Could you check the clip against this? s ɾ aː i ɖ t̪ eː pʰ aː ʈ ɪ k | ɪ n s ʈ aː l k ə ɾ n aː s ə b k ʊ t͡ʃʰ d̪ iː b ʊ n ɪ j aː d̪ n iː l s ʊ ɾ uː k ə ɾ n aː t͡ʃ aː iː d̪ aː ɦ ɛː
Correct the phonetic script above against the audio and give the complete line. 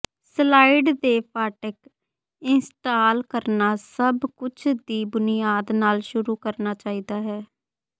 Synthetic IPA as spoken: s l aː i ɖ d̪ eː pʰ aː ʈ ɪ k | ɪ n s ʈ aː l k ə ɾ n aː s ə b k ʊ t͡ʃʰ d̪ iː b ʊ n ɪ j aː d̪ n aː l ʃ ʊ ɾ uː k ə ɾ n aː t͡ʃ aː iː d̪ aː ɦ ɛː